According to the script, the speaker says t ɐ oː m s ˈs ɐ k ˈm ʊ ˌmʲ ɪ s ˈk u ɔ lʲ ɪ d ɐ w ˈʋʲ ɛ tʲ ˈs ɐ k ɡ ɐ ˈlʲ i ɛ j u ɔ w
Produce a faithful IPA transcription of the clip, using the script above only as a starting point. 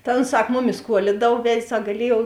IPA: t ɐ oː n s ˈs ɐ k ˈm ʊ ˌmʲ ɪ s ˈk u ɔ lʲ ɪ d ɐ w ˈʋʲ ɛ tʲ ˈs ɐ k ɡ ɐ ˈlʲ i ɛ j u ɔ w